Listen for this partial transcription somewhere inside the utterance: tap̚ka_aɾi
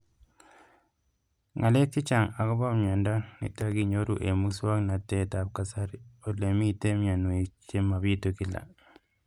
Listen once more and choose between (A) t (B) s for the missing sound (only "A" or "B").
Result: B